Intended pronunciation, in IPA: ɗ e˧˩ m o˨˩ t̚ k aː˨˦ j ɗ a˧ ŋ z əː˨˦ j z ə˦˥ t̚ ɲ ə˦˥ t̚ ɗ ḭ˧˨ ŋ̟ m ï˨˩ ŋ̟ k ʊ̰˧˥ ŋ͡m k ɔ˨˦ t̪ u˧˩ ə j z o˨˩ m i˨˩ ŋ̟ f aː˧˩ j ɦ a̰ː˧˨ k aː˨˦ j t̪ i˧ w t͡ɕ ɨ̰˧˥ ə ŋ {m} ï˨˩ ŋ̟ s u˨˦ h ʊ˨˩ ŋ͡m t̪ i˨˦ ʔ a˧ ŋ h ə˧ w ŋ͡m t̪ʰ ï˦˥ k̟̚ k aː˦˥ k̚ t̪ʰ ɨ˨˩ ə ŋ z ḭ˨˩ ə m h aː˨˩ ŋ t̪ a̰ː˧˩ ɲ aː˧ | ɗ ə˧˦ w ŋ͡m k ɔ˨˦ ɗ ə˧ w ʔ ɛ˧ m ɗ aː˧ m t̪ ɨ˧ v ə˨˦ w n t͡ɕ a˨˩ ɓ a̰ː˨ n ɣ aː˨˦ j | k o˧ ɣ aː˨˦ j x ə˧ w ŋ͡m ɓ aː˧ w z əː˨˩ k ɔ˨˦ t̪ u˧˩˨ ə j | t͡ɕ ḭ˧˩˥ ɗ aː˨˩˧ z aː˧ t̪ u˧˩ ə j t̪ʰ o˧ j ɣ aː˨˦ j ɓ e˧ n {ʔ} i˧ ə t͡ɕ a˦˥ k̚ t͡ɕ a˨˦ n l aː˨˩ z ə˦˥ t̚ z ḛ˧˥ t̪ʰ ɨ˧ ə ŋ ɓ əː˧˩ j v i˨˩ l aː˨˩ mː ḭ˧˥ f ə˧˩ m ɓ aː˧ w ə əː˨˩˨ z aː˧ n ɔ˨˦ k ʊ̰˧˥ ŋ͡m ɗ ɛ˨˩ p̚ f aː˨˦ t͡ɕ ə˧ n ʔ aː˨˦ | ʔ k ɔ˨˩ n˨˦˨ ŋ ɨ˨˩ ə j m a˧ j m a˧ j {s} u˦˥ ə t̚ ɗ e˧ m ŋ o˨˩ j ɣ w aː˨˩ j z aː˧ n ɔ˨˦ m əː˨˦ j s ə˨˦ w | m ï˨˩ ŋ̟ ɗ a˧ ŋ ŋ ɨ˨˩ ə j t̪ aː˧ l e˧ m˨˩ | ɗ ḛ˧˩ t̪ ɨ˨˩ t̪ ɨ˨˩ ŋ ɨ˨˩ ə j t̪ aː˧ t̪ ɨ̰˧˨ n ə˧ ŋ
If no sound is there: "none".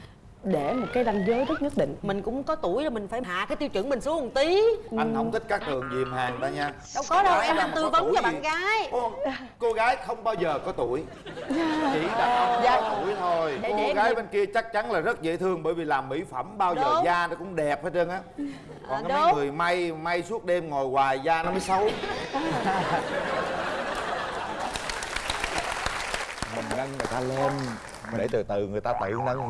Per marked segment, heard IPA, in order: m, k, s

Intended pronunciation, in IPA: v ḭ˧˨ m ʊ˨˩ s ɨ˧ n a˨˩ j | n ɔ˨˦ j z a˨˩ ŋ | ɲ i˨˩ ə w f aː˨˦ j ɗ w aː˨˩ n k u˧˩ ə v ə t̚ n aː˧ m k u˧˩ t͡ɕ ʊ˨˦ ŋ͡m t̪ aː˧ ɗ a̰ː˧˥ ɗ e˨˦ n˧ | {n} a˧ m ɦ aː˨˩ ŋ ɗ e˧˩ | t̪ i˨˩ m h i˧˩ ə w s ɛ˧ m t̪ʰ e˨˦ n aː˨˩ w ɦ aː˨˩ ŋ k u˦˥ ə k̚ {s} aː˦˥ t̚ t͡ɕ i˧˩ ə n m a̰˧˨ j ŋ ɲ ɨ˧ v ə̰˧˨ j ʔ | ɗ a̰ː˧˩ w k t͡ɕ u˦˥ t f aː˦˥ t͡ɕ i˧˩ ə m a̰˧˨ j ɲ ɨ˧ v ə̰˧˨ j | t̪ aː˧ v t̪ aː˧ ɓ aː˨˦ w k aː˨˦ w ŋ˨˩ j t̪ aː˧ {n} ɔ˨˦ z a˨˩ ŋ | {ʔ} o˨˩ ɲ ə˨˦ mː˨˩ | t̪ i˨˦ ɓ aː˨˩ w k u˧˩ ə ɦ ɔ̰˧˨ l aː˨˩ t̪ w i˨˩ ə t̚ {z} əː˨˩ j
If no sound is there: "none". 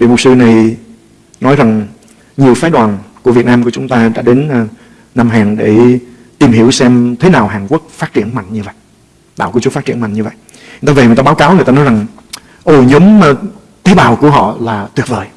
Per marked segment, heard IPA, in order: n, f, n, ʔ, v

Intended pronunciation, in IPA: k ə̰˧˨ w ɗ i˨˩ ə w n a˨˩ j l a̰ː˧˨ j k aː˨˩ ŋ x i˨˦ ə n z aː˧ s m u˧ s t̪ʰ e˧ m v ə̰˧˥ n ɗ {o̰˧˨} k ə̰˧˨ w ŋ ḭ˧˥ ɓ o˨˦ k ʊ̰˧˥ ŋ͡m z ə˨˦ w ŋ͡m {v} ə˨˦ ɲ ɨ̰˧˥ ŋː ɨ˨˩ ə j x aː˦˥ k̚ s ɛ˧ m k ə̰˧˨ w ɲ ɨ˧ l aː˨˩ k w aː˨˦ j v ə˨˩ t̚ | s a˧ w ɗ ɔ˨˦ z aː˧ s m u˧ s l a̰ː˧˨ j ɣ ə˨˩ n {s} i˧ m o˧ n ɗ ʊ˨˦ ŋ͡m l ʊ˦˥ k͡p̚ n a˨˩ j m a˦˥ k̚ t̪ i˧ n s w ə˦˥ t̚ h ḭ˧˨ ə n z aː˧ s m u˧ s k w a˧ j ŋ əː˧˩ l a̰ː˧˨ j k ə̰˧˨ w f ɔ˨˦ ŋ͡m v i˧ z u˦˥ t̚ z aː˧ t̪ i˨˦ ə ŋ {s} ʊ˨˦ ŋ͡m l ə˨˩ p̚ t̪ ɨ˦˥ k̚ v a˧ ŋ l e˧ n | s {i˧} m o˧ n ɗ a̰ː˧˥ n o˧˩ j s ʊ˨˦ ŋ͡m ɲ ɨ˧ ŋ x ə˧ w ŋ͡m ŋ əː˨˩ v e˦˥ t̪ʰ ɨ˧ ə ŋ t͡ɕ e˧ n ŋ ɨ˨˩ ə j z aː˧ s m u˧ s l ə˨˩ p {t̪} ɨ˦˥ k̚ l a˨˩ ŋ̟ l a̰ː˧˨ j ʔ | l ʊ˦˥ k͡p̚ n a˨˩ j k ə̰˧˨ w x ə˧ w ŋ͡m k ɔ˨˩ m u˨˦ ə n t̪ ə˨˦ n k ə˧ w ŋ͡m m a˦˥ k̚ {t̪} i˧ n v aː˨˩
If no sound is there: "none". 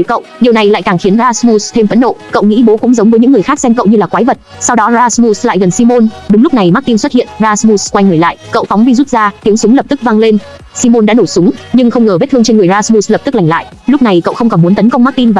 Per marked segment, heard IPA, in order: o̰˧˨, v, s, s, i˧, t̪, t̪

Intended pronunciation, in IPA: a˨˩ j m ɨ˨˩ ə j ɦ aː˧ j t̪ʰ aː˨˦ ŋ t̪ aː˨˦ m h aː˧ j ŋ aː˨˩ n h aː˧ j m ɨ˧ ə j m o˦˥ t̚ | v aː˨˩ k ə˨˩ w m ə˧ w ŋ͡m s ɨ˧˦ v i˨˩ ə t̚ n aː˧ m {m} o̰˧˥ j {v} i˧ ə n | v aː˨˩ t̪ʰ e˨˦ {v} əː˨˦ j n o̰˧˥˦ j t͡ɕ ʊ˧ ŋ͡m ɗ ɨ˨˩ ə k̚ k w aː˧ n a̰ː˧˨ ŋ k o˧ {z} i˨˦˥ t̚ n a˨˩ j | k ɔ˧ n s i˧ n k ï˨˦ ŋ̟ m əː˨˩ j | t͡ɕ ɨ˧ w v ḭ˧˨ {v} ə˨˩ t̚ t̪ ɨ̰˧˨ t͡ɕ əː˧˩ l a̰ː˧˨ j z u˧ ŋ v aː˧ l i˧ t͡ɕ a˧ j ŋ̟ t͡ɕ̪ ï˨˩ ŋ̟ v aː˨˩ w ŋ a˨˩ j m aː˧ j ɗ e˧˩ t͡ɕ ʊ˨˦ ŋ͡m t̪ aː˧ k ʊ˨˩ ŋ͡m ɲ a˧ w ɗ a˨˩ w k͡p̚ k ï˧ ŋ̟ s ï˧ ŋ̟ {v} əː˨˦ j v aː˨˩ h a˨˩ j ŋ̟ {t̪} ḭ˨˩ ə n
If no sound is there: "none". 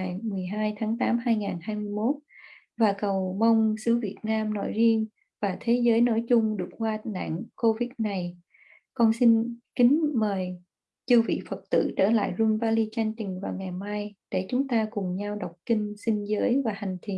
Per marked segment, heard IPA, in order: n, z, z, v, f, z, t̪ʰ

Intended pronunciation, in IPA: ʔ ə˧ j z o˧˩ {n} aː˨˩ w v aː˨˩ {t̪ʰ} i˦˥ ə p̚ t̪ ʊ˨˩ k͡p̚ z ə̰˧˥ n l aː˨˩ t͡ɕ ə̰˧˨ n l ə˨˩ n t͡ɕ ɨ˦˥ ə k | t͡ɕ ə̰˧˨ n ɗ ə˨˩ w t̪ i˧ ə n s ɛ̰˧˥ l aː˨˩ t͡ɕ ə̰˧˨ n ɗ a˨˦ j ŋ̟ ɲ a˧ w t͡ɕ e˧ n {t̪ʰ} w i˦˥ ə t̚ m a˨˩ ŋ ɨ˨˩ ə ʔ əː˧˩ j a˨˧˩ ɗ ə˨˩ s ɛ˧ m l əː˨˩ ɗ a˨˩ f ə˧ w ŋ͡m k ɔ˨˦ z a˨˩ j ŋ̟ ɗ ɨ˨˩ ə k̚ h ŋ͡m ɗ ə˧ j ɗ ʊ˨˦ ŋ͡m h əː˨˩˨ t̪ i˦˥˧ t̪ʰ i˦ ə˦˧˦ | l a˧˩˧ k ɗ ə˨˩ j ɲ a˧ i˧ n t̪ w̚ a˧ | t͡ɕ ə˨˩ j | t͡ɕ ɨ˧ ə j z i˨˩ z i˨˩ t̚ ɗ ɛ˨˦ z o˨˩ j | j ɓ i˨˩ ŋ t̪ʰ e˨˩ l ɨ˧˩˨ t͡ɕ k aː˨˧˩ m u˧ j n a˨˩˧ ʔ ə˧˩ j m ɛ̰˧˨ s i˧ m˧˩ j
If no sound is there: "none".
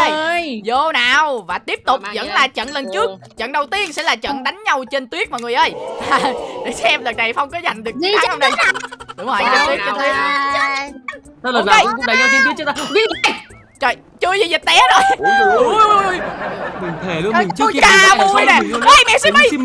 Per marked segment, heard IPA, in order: n, t̪, t̪

